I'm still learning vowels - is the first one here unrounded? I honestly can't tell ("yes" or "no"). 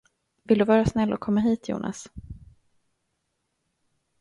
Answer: yes